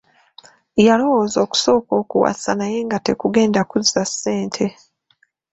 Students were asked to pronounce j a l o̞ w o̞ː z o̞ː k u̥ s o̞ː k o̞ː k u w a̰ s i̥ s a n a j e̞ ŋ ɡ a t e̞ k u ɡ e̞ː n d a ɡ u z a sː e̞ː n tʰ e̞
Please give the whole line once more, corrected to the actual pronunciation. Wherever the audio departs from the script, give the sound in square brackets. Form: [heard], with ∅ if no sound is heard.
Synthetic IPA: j a l o̞ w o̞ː z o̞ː k u̥ s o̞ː k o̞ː k u w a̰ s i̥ s a n a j e̞ ŋ ɡ a t e̞ k u ɡ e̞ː n d a [k] u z a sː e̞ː n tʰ e̞